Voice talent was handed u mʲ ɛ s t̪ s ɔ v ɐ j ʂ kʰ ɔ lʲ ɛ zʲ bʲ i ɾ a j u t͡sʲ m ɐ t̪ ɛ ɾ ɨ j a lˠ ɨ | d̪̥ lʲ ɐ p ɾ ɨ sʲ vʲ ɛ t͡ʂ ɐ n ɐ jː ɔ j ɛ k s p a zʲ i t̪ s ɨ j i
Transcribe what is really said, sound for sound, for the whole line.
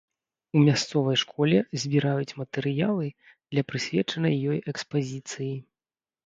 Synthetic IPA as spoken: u mʲ a s t̪ s ɔ v ɐ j ʂ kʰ ɔ lʲ ɛ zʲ bʲ i ɾ a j u t͡sʲ m ɐ t̪ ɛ ɾ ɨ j a lˠ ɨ | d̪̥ lʲ ɐ p ɾ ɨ sʲ vʲ ɛ t͡ʂ ɐ n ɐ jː ɔ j ɛ k s p a zʲ i t̪ s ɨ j i